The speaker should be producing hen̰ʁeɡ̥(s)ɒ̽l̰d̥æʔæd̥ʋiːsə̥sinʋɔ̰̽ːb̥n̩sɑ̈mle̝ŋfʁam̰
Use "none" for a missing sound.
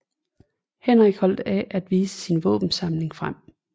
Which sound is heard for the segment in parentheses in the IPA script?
h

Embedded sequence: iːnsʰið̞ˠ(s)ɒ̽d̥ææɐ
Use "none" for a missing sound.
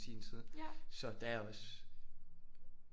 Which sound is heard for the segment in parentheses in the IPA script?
s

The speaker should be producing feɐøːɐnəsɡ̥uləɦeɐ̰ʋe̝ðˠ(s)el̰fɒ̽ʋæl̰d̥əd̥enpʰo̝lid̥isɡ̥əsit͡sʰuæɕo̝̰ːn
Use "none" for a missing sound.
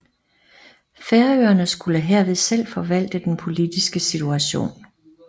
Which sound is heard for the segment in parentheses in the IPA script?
s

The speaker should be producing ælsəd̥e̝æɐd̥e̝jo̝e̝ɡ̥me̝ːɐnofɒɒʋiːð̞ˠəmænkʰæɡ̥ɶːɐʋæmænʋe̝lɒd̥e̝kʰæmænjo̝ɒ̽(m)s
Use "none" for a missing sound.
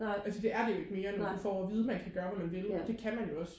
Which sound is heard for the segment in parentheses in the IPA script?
none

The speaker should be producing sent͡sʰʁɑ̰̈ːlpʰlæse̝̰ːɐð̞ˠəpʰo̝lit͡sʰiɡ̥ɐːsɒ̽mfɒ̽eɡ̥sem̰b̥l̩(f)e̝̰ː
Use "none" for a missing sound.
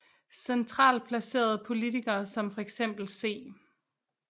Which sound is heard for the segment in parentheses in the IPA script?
s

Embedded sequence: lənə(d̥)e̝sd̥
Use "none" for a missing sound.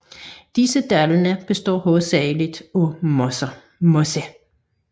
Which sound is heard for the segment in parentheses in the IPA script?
b̥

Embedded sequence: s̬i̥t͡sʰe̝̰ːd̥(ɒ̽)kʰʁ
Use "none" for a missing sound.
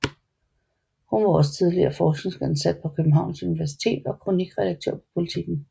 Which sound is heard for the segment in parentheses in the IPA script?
ɒ̽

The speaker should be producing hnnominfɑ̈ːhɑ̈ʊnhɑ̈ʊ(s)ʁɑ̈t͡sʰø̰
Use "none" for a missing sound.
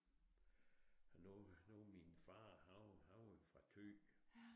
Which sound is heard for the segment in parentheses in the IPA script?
f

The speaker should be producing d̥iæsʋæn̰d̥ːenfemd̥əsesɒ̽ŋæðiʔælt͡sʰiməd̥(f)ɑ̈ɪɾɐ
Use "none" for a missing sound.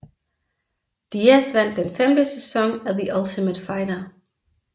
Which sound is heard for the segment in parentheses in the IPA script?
f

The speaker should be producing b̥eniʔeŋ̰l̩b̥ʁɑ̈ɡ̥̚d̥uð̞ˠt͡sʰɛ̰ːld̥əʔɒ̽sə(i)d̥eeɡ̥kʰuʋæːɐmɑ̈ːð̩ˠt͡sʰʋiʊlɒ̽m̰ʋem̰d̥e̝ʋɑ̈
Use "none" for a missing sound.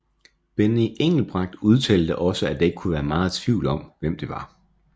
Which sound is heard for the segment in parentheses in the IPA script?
æ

